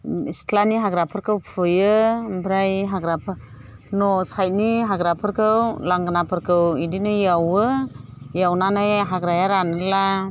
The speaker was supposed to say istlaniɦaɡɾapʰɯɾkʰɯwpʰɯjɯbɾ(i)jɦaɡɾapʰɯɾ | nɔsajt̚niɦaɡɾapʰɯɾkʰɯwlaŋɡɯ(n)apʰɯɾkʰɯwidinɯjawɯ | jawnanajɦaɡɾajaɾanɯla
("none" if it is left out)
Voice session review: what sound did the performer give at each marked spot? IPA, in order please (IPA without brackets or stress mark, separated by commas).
a, n